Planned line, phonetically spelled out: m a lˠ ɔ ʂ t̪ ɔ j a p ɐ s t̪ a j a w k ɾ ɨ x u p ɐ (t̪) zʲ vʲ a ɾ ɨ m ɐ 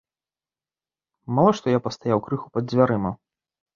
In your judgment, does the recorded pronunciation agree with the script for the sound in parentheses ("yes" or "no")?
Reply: no